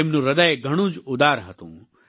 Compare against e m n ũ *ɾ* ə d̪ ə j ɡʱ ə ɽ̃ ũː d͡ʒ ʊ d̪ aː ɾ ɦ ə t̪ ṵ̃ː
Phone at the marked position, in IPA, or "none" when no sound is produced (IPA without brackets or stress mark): ɾ